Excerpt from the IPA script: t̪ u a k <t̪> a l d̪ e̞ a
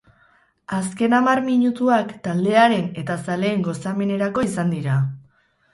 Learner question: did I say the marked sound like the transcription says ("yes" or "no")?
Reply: yes